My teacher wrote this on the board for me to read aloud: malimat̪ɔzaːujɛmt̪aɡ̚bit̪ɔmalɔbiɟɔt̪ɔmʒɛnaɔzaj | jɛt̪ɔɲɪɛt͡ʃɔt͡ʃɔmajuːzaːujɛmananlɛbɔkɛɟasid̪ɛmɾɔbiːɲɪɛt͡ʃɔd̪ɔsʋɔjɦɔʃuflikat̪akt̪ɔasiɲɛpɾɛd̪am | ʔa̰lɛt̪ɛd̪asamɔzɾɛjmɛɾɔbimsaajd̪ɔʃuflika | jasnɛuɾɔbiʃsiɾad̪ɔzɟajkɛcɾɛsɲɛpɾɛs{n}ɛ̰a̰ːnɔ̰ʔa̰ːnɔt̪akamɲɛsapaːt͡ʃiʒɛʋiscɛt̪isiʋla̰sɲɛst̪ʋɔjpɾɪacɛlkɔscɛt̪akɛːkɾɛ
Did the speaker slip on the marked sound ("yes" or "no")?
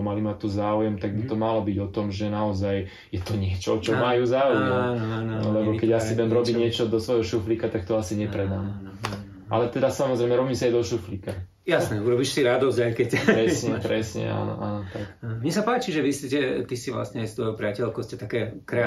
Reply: yes